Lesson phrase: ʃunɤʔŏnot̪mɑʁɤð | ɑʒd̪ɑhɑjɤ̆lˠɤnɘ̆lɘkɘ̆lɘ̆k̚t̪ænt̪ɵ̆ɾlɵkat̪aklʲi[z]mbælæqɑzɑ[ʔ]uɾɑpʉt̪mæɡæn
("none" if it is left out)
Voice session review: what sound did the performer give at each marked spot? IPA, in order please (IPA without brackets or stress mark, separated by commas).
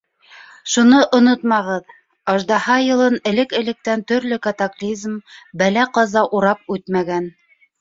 z, ʔ